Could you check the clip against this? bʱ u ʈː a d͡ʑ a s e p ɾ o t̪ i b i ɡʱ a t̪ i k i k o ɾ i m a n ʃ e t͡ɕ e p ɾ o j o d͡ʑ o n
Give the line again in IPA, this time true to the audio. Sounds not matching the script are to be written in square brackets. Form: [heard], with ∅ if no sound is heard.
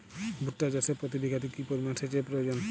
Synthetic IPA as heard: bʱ u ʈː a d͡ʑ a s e p ɾ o t̪ i b i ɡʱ a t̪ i k i [p] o ɾ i m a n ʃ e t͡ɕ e p ɾ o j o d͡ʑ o n